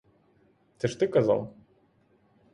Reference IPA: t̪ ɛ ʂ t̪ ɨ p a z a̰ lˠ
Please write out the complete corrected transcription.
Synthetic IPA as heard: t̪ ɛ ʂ t̪ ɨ k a z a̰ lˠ

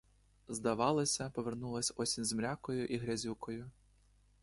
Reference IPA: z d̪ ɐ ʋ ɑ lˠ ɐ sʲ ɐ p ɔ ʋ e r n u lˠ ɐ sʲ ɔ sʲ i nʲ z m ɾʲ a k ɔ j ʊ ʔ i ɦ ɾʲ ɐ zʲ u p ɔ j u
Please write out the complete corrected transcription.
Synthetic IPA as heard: z d̪ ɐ ʋ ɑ lˠ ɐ sʲ ɐ p ɔ ʋ e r n u lˠ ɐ sʲ ɔ sʲ i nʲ z m ɾʲ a k ɔ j ʊ ʔ i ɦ ɾʲ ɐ zʲ u k ɔ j ʊ

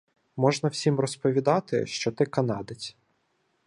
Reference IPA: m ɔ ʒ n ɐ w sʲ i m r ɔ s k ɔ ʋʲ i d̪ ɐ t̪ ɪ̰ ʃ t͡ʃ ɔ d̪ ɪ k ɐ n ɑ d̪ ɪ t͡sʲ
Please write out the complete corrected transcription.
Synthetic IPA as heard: m ɔ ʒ n ɐ w sʲ i m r ɔ s p ɔ ʋʲ i d̪ ɑ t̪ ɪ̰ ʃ t͡ʃ ɔ t̪ ɪ k ɐ n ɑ d̪ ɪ t͡sʲ

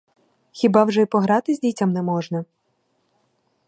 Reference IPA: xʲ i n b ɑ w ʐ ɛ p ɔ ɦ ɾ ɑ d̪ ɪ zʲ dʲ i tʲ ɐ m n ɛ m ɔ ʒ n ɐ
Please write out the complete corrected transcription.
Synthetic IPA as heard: xʲ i b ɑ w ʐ ɛ p ɔ ɦ ɾ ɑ t̪ ɪ zʲ dʲ i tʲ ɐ m n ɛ m ɔ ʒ n ɐ

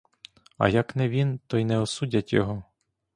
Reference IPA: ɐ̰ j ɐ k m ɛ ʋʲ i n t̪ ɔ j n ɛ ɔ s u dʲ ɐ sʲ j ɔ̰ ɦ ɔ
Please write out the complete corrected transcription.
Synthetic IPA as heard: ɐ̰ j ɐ k n ɛ ʋʲ i n t̪ ɔ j n ɛ ɔ s u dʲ ɐ tʲ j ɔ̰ ɦ ɔ

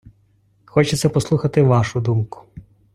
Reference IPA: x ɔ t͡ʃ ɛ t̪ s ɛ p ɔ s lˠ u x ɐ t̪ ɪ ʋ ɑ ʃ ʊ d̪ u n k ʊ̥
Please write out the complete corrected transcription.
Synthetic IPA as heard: x ɔ t͡ʃ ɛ t̪ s ɛ p ɔ s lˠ u x ɐ t̪ ɪ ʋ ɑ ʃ ʊ d̪ u m k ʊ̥

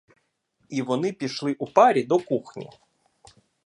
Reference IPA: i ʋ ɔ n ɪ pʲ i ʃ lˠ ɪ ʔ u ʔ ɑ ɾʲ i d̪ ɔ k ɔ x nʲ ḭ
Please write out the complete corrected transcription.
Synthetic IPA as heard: i ʋ ɔ n ɪ pʲ i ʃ lˠ ɪ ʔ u p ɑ ɾʲ i d̪ ɔ k u x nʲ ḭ

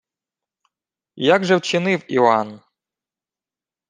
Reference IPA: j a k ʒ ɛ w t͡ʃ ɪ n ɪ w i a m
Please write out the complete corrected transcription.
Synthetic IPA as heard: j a ɡ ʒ ɛ w t͡ʃ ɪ n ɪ w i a n

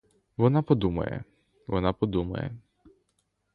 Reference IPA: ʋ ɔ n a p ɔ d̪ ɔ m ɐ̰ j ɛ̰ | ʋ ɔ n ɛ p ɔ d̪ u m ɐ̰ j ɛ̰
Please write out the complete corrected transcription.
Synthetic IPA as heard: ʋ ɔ n a p ɔ d̪ u m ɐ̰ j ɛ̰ | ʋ ɔ n a p ɔ d̪ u m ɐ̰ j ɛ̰

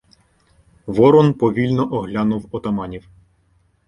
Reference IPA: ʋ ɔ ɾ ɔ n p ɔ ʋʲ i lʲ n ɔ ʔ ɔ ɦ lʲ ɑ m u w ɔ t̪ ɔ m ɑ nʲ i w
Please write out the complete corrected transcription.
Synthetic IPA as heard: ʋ ɔ ɾ ɔ n p ɔ ʋʲ i lʲ n ɔ ʔ ɔ ɦ lʲ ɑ n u w ɔ t̪ ɔ m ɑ nʲ i w

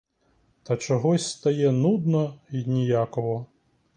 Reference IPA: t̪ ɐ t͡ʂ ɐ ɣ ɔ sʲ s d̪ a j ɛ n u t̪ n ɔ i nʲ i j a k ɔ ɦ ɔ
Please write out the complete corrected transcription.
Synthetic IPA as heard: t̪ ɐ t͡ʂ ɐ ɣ ɔ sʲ s t̪ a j ɛ n u d̪ n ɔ i nʲ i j a k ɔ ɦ ɔ

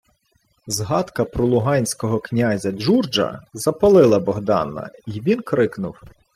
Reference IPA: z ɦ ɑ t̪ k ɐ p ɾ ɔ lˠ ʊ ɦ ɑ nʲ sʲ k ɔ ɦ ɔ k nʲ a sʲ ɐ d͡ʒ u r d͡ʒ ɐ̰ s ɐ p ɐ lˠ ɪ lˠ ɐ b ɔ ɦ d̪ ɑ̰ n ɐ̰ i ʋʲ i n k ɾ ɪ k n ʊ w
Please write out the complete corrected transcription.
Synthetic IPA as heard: z ɦ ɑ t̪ k ɐ p ɾ ɔ lˠ ʊ ɦ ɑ nʲ sʲ k ɔ ɦ ɔ k nʲ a zʲ ɐ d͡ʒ u r d͡ʒ ɐ̰ z ɐ p ɐ lˠ ɪ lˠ ɐ b ɔ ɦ d̪ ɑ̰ n ɐ̰ i ʋʲ i n k ɾ ɪ k n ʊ w

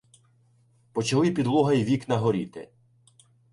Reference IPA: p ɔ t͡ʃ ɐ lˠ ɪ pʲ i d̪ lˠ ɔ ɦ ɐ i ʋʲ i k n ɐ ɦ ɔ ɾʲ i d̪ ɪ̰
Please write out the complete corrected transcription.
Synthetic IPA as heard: p ɔ t͡ʃ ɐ lˠ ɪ pʲ i d̪ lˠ ɔ ɦ ɐ j ʋʲ i k n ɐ ɦ ɔ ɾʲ i t̪ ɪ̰

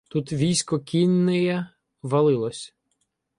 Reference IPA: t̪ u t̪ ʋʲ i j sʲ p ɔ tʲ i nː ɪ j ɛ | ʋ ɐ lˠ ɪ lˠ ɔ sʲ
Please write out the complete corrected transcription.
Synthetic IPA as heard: t̪ u t̪ ʋʲ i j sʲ k ɔ kʲ i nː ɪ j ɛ | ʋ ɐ lˠ ɪ lˠ ɔ sʲ

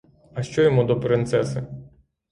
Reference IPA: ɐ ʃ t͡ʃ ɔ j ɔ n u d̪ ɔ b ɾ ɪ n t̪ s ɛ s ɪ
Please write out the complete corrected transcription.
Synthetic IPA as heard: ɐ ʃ t͡ʃ ɔ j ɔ m u d̪ ɔ p ɾ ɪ n t̪ s ɛ s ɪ

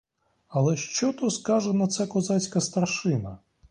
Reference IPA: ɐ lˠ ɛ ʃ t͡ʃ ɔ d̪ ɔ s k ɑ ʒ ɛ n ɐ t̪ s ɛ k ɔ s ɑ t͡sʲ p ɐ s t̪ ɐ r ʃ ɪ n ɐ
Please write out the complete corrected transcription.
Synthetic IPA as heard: ɐ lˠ ɛ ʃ t͡ʃ ɔ t̪ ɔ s k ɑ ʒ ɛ n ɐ t̪ s ɛ k ɔ z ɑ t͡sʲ k ɐ s t̪ ɐ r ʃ ɪ n ɐ

